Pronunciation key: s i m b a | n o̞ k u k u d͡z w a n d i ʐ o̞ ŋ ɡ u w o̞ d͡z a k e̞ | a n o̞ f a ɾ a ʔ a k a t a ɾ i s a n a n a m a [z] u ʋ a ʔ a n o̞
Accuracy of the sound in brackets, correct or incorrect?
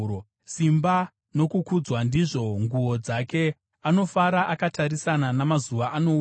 correct